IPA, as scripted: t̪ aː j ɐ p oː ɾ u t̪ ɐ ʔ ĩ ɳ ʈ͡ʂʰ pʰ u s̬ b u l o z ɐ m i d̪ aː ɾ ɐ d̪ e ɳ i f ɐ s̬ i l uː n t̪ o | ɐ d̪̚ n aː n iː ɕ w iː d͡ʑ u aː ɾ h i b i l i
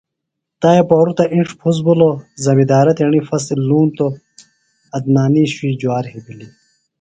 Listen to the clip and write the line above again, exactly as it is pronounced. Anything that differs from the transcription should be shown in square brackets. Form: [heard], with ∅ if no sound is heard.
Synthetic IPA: t̪ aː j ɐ p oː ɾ u t̪ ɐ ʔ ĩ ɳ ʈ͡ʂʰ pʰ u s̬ b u l o z ɐ m i d̪ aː ɾ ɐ [t̪] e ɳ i f ɐ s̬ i l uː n t̪ o | ɐ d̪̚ n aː n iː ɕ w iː d͡ʑ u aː ɾ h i b i l i

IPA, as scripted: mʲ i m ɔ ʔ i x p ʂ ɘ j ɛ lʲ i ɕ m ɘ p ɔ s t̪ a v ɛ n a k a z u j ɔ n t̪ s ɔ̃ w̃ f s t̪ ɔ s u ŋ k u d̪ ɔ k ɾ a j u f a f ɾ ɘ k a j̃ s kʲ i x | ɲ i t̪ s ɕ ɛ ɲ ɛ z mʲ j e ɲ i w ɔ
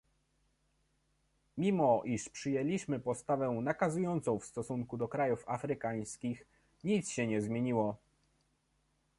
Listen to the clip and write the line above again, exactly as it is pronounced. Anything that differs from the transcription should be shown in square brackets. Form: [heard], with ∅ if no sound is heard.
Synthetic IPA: mʲ i m ɔ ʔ i [ʂ] p ʂ ɘ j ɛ lʲ i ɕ m ɘ p ɔ s t̪ a v ɛ n a k a z u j ɔ n t̪ s ɔ̃ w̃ f s t̪ ɔ s u ŋ k u d̪ ɔ k ɾ a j u f a f ɾ ɘ k a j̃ s kʲ i x | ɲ i t̪ s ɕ ɛ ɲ ɛ z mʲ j e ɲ i w ɔ

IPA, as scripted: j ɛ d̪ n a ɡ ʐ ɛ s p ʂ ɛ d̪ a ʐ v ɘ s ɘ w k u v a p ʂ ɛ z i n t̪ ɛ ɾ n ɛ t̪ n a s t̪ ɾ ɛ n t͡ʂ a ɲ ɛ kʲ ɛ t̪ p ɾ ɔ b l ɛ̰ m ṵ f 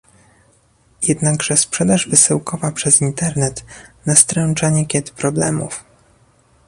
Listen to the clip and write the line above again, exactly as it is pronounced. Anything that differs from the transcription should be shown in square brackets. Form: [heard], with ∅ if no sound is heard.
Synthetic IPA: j ɛ d̪ n a ɡ ʐ ɛ s p ʂ ɛ d̪ a ʐ v ɘ s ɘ w k [ɔ] v a p ʂ ɛ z i n t̪ ɛ ɾ n ɛ t̪ n a s t̪ ɾ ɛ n t͡ʂ a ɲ ɛ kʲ ɛ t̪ p ɾ ɔ b l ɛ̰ m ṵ f

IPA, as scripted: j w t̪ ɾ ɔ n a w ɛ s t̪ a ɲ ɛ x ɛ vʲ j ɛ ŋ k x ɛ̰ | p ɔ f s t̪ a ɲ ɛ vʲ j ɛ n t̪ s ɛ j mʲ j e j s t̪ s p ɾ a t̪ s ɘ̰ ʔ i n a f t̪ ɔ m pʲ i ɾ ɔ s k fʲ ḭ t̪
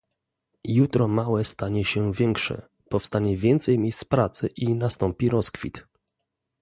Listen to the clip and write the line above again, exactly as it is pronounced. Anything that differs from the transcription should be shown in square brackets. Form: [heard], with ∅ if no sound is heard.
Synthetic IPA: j [u] t̪ ɾ ɔ [m] a w ɛ s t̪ a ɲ ɛ [ɕ] ɛ vʲ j ɛ ŋ k [ʂ] ɛ̰ | p ɔ f s t̪ a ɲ ɛ vʲ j ɛ n t̪ s ɛ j mʲ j e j s t̪ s p ɾ a t̪ s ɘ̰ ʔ i n a [s] t̪ ɔ m pʲ i ɾ ɔ s k fʲ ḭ t̪

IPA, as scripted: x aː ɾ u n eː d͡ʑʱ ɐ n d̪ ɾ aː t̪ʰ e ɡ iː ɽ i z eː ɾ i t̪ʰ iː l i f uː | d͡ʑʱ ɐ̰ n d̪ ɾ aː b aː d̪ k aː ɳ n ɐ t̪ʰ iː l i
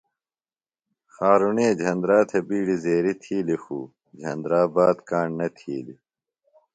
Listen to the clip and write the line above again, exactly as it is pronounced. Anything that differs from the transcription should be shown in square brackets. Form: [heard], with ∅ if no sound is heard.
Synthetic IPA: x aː ɾ u n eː d͡ʑʱ ɐ n d̪ ɾ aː t̪ʰ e [b] iː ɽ i z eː ɾ i t̪ʰ iː l i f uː | d͡ʑʱ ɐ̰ n d̪ ɾ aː b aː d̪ k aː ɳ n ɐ t̪ʰ iː l i

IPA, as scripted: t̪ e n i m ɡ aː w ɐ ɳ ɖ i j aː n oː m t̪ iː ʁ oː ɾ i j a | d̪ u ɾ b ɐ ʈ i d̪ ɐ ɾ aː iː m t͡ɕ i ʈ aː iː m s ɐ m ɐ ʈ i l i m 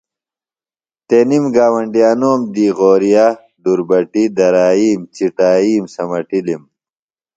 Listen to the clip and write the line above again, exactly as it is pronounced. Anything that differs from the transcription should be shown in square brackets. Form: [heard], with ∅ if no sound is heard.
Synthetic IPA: t̪ e n i m ɡ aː w ɐ ɳ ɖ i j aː n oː m [d̪] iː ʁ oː ɾ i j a | d̪ u ɾ b ɐ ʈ i d̪ ɐ ɾ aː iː m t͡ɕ i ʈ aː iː m s ɐ m ɐ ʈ i l i m

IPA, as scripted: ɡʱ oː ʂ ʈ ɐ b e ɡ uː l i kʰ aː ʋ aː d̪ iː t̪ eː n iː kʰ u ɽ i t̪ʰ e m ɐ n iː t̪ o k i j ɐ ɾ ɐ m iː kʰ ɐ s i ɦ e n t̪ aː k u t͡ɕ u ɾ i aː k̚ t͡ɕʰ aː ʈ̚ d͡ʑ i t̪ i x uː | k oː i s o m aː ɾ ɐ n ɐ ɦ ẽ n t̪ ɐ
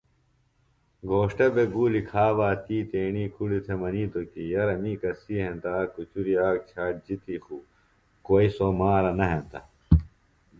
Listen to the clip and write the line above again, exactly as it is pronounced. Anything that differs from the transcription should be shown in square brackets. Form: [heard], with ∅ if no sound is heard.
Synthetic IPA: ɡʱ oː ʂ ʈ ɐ b e ɡ uː l i kʰ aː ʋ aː [t̪] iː t̪ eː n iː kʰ u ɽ i t̪ʰ e m ɐ n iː t̪ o k i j ɐ ɾ ɐ m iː [k] ɐ s i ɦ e n t̪ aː k u t͡ɕ u ɾ i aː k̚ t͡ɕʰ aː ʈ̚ d͡ʑ i t̪ i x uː | k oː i s o m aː ɾ ɐ n ɐ ɦ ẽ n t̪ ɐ

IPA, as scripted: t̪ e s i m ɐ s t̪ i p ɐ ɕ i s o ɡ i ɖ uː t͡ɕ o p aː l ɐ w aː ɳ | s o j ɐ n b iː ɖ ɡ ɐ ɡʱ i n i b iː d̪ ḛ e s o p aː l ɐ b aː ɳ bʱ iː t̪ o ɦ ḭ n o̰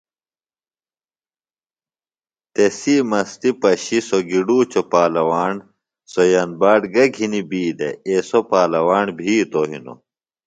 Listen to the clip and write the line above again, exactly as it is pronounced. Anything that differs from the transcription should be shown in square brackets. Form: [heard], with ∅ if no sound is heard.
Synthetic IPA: t̪ e s i m ɐ s t̪ i p ɐ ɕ i s o ɡ i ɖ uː t͡ɕ o p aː l ɐ w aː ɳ | s o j ɐ n b [aː] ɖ ɡ ɐ ɡʱ i n i b iː d̪ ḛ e s o p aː l ɐ [w] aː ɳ bʱ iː t̪ o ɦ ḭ n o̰

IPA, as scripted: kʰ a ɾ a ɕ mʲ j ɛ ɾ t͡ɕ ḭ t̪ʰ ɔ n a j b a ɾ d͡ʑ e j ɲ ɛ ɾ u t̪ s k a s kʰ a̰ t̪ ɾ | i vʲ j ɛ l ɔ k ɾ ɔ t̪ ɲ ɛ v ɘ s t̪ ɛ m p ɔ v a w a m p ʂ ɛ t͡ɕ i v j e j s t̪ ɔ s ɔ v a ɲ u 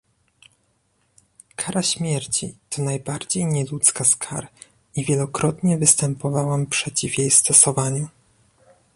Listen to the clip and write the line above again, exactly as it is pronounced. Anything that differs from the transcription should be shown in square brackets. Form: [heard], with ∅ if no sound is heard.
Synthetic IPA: kʰ a ɾ a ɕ mʲ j ɛ ɾ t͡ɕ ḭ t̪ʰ ɔ n a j b a ɾ d͡ʑ e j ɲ ɛ [l] u t̪ s k a s kʰ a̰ [∅] ɾ | i vʲ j ɛ l ɔ k ɾ ɔ t̪ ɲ ɛ v ɘ s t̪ ɛ m p ɔ v a w a m p ʂ ɛ t͡ɕ i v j e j s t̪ ɔ s ɔ v a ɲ u

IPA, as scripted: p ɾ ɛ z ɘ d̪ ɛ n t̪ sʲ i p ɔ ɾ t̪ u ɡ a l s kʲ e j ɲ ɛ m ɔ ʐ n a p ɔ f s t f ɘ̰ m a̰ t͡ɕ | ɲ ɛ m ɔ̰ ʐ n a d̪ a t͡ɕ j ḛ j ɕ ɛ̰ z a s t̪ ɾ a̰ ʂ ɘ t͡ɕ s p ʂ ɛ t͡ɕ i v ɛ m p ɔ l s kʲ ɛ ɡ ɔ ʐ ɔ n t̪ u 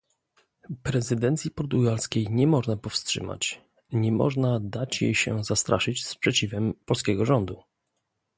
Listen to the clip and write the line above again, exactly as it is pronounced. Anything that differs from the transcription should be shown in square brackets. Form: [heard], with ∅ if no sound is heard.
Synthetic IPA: p ɾ ɛ z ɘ d̪ ɛ n t̪ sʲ i p ɔ ɾ t̪ u ɡ a l s kʲ e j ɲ ɛ m ɔ ʐ n a p ɔ f s t [ʂ] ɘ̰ m a̰ t͡ɕ | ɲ ɛ m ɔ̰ ʐ n a d̪ a t͡ɕ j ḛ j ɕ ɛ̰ z a s t̪ ɾ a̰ ʂ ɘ t͡ɕ s p ʂ ɛ t͡ɕ i v ɛ m p ɔ l s kʲ ɛ ɡ ɔ ʐ ɔ n [d̪] u

